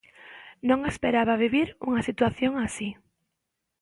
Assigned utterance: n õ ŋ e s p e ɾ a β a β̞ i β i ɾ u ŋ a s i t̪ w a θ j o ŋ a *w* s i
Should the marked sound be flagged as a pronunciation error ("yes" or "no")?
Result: yes